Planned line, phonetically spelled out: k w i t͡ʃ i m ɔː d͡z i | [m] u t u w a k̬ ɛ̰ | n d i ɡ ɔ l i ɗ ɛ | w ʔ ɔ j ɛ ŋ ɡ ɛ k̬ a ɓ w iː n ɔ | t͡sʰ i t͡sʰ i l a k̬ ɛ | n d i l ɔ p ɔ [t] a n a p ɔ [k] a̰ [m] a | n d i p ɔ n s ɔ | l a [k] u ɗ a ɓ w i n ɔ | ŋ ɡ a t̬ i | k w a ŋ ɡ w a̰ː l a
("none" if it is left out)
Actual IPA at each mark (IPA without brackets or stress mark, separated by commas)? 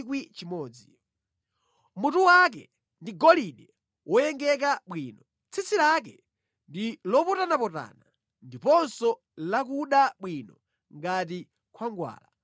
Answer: m, t, t, n, k